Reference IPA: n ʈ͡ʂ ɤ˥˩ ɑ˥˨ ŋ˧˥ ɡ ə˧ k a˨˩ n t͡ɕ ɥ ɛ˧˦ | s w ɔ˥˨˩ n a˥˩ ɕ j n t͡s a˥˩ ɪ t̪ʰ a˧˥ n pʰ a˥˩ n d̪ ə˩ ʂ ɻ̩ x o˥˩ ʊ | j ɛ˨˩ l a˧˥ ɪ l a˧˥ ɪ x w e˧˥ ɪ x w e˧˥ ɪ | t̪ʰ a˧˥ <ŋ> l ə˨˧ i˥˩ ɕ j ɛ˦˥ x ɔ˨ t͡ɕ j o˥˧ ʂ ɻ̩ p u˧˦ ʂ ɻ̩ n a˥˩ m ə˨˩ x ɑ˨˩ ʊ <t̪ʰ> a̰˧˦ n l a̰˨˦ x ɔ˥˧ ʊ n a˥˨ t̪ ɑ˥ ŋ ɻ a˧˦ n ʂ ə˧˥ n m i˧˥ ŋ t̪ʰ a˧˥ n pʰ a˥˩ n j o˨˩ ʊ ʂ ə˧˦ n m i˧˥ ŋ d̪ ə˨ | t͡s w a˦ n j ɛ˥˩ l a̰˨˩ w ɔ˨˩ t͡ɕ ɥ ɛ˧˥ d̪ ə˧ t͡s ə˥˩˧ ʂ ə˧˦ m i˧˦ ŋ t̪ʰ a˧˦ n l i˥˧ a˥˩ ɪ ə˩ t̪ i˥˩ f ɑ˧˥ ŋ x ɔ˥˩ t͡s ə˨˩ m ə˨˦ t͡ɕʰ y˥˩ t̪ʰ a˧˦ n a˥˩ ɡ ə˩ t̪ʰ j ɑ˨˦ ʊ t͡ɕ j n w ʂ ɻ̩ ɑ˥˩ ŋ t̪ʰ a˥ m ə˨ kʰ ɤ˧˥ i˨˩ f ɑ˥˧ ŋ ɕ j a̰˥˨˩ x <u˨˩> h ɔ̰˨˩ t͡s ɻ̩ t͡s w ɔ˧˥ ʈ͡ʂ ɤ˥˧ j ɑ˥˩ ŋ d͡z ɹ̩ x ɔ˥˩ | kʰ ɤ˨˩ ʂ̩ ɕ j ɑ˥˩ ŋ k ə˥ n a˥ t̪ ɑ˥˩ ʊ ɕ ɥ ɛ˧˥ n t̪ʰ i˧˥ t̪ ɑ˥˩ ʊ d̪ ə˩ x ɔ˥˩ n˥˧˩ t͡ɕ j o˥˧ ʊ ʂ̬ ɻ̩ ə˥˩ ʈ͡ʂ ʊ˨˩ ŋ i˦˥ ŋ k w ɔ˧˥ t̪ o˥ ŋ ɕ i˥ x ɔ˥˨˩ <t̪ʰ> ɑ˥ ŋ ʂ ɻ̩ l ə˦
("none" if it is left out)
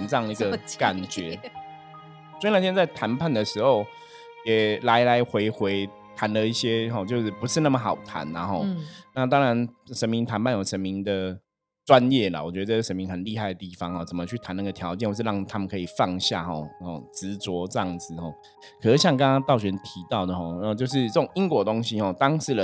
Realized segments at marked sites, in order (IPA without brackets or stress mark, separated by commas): n, t̪ʰ, ɔ˨˩, t̪